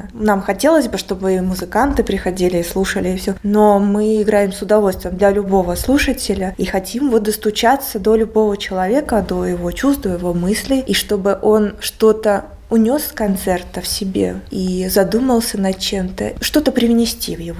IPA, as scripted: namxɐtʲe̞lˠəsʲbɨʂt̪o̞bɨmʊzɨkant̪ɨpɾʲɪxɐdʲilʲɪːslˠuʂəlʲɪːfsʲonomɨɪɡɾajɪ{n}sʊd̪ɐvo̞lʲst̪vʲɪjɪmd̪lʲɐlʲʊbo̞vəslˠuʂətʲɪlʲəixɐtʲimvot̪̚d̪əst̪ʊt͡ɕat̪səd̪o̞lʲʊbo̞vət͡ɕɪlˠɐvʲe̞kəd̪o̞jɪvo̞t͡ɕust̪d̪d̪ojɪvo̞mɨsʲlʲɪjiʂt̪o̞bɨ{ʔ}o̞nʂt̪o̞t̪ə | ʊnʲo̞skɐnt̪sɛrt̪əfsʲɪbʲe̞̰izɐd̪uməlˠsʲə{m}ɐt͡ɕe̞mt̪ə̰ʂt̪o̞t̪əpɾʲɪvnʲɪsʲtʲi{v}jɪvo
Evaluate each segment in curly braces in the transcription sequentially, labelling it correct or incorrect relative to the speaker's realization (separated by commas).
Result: incorrect, correct, incorrect, correct